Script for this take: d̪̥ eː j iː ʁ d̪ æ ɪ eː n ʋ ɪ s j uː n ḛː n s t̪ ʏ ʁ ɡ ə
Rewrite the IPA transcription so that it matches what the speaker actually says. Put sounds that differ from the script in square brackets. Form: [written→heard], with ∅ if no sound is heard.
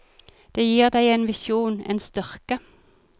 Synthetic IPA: d̪̥ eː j iː ʁ d̪ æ ɪ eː n ʋ ɪ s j uː n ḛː n s t̪ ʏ ʁ [ɡ→k] ə